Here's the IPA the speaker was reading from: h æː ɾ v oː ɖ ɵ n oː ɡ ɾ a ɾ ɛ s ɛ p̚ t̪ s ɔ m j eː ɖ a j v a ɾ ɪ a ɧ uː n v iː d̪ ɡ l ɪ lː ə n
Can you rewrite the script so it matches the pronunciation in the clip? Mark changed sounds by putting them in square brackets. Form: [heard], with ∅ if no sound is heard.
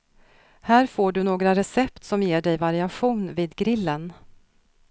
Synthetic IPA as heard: h æː ɾ [f] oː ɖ ɵ n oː ɡ ɾ a ɾ ɛ s ɛ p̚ t̪ s ɔ m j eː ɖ [ɛ] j v a ɾ ɪ a ɧ uː n v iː d̪ ɡ [ɾ] ɪ lː ə n